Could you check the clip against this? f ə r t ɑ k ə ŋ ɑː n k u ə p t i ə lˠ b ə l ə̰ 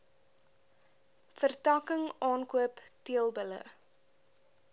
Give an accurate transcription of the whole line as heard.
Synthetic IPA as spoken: f ə r t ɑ k ə ŋ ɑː n k u ə p t i ə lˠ b ə l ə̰